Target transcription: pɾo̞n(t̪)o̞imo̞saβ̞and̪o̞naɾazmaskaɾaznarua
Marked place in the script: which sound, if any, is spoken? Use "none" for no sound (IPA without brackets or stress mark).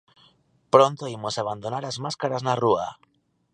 t̪